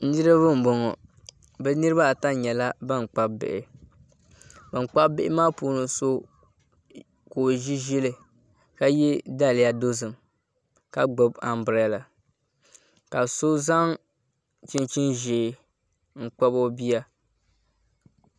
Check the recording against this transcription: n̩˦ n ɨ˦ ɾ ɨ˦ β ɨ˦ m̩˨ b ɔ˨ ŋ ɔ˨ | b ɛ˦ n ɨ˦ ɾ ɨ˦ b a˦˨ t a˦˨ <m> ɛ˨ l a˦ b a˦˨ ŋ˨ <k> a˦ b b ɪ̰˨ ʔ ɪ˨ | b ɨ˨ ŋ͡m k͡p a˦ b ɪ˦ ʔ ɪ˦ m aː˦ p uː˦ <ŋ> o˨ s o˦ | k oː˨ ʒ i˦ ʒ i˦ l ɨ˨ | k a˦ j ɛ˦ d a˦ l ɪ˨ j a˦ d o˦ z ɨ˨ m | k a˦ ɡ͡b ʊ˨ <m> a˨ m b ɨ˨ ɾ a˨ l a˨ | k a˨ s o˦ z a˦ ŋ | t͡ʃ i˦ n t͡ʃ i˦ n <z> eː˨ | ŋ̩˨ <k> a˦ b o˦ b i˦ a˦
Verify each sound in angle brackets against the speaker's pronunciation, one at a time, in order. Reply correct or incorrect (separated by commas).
incorrect, incorrect, incorrect, incorrect, incorrect, incorrect